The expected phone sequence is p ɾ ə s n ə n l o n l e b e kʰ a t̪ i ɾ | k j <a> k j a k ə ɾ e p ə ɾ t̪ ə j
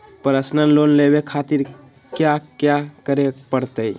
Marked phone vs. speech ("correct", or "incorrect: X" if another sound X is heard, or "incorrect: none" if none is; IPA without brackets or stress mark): correct